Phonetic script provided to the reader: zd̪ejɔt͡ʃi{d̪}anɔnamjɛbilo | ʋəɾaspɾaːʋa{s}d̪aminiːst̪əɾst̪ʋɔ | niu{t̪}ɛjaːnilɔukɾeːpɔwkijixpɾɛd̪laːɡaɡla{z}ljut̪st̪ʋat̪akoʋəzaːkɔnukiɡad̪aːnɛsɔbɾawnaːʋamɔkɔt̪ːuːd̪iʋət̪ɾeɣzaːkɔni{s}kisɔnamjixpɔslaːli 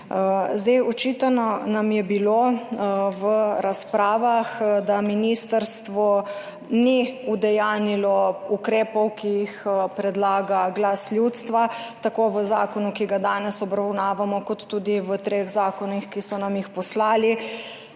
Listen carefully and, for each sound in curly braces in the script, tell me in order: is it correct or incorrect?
incorrect: t̪, incorrect: x, incorrect: d̪, incorrect: s, incorrect: x

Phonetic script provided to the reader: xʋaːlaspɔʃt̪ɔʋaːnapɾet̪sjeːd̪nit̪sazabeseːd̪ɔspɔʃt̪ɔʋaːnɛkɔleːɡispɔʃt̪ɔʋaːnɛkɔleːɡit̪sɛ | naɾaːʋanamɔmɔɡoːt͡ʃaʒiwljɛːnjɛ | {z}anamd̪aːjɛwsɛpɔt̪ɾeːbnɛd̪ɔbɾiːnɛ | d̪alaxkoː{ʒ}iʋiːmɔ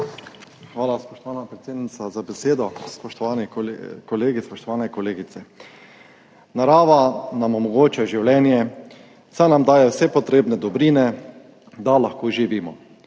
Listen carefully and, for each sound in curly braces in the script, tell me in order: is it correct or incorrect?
incorrect: s, correct

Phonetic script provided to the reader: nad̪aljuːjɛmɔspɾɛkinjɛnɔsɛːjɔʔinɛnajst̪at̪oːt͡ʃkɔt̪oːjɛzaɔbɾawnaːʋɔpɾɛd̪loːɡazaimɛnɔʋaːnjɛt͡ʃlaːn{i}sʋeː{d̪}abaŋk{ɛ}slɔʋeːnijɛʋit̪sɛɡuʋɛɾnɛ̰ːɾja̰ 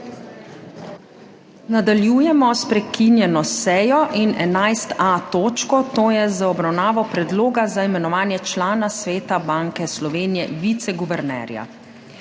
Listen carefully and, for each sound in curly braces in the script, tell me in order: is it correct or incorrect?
incorrect: a, incorrect: t̪, correct

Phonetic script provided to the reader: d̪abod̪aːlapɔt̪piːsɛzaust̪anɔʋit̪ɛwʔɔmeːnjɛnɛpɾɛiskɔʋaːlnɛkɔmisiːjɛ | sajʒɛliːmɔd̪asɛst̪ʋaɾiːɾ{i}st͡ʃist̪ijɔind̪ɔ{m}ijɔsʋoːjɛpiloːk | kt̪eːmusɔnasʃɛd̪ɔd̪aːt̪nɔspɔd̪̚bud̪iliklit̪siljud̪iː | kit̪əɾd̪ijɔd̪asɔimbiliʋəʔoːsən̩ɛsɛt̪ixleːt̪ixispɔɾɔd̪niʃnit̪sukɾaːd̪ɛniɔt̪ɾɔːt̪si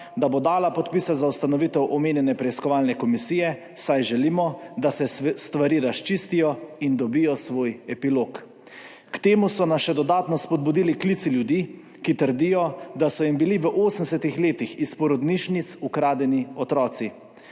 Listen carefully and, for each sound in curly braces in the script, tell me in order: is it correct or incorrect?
incorrect: a, incorrect: b

